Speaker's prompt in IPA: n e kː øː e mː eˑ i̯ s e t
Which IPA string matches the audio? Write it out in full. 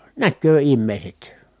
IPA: n æ kː øː i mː eˑ i̯ s e t